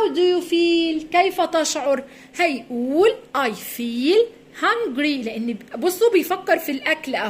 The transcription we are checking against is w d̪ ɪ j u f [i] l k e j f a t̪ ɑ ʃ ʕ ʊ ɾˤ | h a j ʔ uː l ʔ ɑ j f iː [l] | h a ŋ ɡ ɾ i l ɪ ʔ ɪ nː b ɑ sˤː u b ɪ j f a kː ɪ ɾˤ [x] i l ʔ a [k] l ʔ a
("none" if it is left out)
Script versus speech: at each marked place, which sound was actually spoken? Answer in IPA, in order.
iː, l, f, k

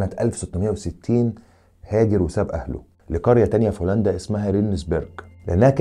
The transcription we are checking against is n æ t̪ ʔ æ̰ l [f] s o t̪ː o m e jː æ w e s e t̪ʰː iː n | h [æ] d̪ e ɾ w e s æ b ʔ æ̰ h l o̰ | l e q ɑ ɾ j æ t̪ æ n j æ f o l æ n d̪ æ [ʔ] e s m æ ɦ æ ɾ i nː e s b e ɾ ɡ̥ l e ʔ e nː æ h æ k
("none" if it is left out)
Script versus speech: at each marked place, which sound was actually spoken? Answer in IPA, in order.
f, æː, ʔ

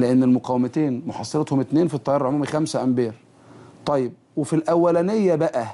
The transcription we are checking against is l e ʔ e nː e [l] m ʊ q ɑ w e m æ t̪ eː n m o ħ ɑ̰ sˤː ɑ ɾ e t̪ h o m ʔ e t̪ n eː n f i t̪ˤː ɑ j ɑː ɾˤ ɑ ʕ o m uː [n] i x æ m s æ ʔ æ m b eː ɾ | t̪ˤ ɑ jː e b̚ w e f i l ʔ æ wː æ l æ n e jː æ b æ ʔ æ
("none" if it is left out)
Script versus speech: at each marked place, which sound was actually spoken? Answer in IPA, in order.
l, m

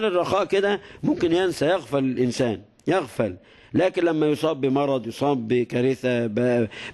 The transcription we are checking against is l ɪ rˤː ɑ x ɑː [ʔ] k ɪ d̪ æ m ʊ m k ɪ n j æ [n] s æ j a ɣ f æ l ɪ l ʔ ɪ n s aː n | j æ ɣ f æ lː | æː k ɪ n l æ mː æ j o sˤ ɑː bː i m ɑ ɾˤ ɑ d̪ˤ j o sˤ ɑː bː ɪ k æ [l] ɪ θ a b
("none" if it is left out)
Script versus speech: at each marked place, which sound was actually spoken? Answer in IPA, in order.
ʔ, n, ɾ

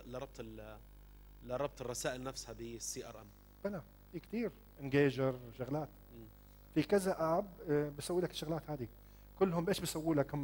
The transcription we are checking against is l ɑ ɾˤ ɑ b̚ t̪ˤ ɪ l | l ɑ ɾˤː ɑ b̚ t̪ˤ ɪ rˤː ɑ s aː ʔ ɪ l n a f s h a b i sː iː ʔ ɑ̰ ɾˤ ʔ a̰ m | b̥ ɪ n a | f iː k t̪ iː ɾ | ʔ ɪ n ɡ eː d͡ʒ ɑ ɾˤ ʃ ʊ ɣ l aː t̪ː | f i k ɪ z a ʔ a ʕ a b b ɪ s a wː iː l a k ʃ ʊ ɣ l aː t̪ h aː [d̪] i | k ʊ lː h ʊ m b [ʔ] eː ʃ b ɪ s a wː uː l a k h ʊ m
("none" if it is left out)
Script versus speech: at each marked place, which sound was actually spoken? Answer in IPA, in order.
d̪, ʔ

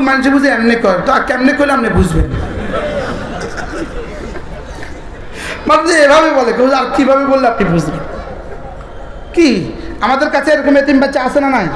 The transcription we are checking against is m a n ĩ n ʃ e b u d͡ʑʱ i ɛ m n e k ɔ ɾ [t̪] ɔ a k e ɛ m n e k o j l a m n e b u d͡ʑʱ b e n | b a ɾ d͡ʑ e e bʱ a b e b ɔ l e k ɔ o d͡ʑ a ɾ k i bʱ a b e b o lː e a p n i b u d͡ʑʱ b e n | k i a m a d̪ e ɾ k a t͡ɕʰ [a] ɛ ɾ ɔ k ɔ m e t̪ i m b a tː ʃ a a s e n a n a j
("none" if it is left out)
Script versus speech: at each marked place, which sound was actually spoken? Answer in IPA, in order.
t̪, e

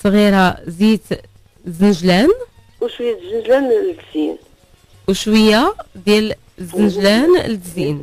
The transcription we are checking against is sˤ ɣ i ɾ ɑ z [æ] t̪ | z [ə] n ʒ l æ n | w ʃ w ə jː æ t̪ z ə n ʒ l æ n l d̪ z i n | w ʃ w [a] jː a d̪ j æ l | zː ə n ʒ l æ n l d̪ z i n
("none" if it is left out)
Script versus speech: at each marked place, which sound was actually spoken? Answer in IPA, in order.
i, ə, ə

